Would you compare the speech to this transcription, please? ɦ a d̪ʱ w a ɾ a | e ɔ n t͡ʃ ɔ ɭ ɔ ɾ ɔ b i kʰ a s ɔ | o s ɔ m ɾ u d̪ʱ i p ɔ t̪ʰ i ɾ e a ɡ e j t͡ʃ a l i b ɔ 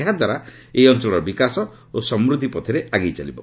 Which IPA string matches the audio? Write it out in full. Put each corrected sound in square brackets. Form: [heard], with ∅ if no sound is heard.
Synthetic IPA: ɦ a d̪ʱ w a ɾ a | e ɔ n t͡ʃ ɔ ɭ ɔ ɾ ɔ b i [k] a s ɔ | o s ɔ m ɾ u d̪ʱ i p ɔ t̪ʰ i ɾ e a ɡ e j t͡ʃ a l i b ɔ